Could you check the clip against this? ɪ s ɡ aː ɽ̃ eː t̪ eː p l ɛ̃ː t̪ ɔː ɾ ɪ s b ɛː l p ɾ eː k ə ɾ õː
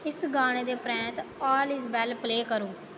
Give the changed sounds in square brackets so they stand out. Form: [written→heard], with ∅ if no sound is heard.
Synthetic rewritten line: ɪ s ɡ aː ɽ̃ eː [t̪→d̪] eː p [l→ɾ] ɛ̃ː t̪ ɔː [ɾ→l] ɪ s b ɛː l p [ɾ→l] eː k ə ɾ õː